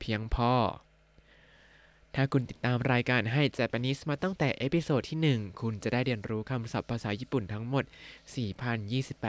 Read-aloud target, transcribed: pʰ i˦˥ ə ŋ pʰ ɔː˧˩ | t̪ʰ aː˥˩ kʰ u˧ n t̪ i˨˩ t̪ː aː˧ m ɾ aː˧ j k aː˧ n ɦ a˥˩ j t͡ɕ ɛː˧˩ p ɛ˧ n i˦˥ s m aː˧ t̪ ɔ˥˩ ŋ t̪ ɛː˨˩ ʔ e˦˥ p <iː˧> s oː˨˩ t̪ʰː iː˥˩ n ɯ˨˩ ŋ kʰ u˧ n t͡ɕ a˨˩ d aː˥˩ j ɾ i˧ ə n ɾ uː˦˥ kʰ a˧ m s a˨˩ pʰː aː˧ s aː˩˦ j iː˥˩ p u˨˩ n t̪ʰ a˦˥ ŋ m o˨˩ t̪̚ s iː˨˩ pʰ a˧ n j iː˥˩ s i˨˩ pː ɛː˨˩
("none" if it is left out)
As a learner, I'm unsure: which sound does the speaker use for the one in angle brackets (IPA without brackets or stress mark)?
i˧